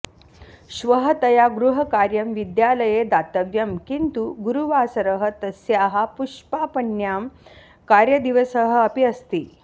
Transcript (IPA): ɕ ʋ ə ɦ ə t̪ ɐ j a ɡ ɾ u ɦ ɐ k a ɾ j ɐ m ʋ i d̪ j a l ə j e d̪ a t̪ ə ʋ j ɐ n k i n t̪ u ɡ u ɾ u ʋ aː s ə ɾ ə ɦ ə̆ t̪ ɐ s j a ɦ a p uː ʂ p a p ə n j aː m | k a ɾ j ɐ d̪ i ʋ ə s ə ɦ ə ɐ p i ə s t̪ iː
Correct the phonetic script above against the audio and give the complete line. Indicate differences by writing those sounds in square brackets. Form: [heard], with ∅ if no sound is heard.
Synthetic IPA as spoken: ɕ ʋ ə ɦ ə t̪ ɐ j a ɡ ɾ u ɦ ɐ k a ɾ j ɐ m ʋ i d̪ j a l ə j e d̪ a t̪ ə ʋ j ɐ [m] k i n t̪ u ɡ u ɾ u ʋ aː s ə ɾ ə ɦ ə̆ t̪ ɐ s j a ɦ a p [u] ʂ p a p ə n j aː m | k a ɾ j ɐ d̪ i ʋ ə s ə ɦ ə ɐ p i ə s t̪ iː